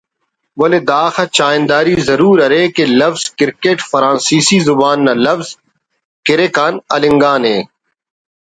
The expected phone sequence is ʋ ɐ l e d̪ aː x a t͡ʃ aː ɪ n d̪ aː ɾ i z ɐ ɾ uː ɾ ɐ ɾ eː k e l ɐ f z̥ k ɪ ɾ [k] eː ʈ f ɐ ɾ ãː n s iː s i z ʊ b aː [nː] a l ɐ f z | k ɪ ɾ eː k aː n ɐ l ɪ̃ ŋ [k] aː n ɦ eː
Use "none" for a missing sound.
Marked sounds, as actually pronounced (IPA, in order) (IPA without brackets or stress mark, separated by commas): k, nː, ɡ